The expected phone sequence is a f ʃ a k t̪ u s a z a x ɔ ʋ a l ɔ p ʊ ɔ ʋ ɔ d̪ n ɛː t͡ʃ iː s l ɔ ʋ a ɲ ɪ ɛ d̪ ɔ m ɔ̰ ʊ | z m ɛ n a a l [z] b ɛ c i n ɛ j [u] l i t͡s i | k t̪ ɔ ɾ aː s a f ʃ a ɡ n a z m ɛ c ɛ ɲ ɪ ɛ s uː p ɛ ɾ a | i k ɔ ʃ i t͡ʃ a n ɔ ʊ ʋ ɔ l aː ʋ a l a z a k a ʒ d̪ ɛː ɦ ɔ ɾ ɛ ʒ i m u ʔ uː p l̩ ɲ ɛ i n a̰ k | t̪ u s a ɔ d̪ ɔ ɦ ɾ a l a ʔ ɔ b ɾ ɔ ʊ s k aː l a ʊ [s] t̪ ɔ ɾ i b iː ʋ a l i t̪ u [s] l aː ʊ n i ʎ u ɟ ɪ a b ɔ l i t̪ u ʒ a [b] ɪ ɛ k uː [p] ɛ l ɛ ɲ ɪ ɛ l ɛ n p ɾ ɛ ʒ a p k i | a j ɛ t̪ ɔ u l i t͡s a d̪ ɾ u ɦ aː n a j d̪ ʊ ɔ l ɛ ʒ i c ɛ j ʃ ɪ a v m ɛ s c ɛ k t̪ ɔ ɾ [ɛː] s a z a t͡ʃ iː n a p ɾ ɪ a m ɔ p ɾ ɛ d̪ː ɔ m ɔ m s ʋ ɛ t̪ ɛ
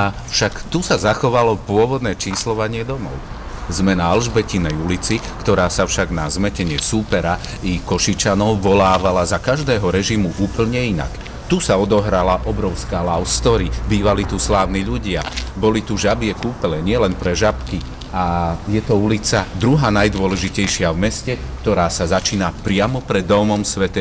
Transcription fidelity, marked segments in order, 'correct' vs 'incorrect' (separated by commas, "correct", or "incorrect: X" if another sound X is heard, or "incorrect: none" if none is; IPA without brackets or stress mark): incorrect: ʒ, correct, correct, correct, correct, correct, incorrect: aː